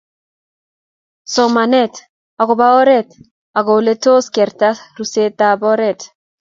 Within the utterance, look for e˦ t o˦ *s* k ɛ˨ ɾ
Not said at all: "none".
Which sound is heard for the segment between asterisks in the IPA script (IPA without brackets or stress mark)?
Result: s